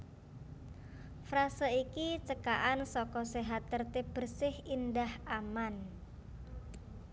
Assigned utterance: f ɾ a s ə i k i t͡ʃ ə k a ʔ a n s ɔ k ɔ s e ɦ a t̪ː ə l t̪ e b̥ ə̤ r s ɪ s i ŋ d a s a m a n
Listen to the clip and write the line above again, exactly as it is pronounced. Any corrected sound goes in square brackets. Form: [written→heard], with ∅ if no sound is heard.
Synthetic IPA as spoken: f ɾ a s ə i k i t͡ʃ ə k a ʔ a n s ɔ k ɔ s e ɦ a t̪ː ə [l→r] t̪ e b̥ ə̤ r s ɪ [s→h] i [ŋ→n] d a [s→h] a m a n

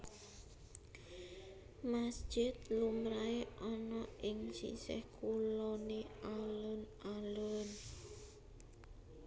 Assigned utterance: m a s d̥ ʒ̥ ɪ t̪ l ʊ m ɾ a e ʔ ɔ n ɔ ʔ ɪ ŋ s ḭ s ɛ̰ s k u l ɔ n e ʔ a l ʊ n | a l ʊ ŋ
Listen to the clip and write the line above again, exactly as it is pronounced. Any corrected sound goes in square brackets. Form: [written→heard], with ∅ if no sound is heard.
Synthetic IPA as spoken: m a s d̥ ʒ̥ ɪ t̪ l [ʊ→u] m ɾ a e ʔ ɔ n ɔ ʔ ɪ ŋ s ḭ s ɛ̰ [s→h] k u l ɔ n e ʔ a l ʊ n | a l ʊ [ŋ→n]

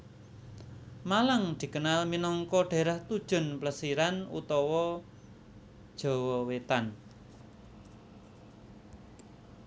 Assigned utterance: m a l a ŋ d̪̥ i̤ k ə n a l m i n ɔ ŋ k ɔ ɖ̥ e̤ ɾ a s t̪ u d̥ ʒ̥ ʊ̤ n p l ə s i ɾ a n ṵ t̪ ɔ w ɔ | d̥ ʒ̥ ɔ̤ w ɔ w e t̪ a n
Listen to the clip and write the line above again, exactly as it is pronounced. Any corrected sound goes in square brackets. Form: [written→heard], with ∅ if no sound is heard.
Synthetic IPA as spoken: m a l a ŋ d̪̥ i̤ k ə n a l m i n ɔ ŋ k ɔ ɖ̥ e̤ ɾ a [s→h] t̪ u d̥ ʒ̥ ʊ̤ n p l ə s i ɾ a n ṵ t̪ ɔ w ɔ | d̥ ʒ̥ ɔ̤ w ɔ w e t̪ a n

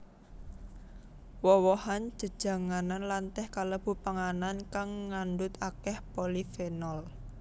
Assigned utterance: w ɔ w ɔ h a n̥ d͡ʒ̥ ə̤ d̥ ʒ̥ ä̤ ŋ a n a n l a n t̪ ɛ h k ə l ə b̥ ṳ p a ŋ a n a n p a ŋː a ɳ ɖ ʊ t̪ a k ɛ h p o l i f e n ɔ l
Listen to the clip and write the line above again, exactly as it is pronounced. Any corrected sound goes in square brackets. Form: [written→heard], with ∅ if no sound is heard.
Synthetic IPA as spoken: w ɔ w ɔ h a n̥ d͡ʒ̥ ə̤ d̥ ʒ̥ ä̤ ŋ a n a n l a n t̪ ɛ h k [ə→a] l ə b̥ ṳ p a ŋ a n a n [p→k] a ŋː a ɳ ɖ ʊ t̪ a k ɛ h p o l i f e n ɔ l

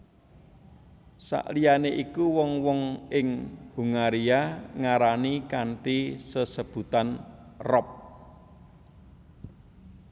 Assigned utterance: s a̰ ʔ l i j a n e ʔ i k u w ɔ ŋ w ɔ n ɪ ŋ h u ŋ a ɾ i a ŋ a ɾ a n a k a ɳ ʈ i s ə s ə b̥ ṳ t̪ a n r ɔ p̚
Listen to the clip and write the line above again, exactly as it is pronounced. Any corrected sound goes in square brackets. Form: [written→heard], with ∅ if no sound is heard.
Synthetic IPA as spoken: s a̰ ʔ l i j a n e ʔ i k u w ɔ ŋ w ɔ [n→ŋ] ɪ ŋ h u ŋ a ɾ i a ŋ a ɾ a n [a→i] k a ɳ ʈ i s ə s ə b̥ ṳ t̪ a n r ɔ p̚

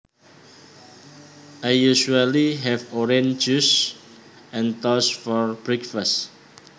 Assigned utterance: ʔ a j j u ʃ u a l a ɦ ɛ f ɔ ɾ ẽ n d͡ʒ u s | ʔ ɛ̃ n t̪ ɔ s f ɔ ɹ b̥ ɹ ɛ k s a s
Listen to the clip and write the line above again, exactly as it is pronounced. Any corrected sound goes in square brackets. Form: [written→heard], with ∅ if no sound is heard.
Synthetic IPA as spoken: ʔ a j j u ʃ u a l [a→i] ɦ ɛ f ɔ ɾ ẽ n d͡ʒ u s | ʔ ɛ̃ n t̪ ɔ s f ɔ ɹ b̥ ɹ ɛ k [s→f] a s

